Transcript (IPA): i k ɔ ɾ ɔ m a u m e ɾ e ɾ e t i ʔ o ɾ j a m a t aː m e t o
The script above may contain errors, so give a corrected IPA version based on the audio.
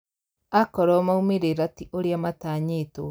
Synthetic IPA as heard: a k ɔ ɾ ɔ m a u m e ɾ e ɾ a t i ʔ o ɾ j a m a t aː ɲ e t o